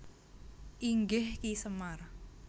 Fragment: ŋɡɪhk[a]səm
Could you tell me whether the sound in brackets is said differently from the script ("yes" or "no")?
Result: yes